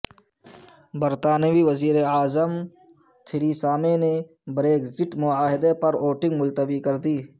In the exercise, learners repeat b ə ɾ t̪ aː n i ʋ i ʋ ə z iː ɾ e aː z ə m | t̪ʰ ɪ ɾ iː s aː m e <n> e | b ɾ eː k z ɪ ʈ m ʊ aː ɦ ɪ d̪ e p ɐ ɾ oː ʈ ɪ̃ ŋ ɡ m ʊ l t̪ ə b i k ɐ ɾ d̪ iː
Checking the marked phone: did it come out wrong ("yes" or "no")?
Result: no